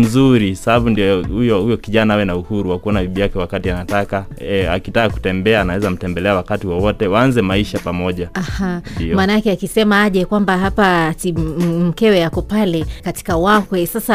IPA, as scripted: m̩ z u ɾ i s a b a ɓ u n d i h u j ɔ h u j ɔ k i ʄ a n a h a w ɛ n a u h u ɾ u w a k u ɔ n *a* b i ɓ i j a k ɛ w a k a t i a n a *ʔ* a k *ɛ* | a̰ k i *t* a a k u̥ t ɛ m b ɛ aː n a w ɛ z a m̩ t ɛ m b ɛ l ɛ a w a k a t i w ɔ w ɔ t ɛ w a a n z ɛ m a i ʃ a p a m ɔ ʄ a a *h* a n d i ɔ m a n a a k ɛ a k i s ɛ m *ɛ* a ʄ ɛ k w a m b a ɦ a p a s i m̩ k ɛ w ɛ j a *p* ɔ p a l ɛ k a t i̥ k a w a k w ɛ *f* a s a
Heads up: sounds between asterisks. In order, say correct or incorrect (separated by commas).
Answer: correct, incorrect, incorrect, correct, correct, incorrect, incorrect, incorrect